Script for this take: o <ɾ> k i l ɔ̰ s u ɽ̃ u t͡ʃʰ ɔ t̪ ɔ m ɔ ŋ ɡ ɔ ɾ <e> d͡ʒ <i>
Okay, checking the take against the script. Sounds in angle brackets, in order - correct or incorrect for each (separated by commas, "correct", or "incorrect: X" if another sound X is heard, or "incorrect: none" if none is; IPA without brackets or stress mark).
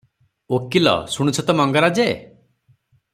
incorrect: none, incorrect: a, incorrect: e